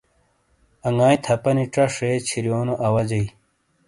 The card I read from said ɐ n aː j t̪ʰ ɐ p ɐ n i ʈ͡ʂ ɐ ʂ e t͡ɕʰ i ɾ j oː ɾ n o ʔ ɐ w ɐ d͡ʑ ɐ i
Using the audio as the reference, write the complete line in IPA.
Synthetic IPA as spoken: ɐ ŋ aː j t̪ʰ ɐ p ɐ n i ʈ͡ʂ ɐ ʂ e t͡ɕʰ i ɾ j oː n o ʔ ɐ w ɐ d͡ʑ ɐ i